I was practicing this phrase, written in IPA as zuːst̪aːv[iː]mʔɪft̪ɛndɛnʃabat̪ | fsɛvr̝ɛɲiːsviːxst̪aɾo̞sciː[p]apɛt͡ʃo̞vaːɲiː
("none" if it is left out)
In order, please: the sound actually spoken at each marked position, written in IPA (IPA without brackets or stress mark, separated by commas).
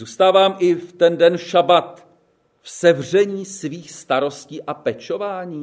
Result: aː, ʔ